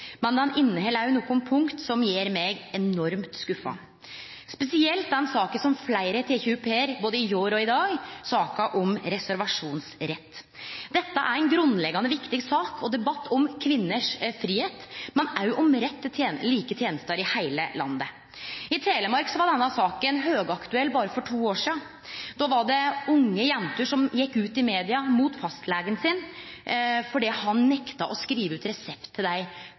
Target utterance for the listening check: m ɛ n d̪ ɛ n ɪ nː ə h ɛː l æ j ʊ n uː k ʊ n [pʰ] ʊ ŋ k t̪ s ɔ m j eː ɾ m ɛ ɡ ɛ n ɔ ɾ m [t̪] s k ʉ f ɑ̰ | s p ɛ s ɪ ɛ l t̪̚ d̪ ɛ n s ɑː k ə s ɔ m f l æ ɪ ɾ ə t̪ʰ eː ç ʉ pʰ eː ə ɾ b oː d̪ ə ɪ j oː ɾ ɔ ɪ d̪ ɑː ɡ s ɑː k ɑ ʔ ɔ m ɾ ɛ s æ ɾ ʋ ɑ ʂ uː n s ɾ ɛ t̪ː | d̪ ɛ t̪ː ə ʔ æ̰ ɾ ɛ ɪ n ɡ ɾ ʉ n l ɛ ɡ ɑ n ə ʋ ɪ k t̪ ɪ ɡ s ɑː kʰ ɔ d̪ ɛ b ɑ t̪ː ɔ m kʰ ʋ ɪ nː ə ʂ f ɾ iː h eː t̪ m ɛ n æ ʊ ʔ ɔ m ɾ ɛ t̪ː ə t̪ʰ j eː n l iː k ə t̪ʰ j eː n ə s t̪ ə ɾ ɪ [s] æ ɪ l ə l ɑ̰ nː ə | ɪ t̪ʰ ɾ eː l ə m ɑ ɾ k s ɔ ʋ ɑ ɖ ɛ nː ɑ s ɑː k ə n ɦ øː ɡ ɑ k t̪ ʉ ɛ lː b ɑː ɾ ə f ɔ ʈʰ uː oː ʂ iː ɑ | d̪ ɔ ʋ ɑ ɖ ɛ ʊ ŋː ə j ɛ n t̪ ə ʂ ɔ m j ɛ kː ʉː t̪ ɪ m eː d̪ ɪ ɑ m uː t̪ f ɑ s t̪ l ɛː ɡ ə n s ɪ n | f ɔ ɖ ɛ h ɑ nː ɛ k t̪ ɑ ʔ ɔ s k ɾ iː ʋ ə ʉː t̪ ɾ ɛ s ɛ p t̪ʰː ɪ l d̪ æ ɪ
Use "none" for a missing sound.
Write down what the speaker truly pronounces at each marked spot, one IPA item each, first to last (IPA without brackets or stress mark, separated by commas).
pʰ, t̪, h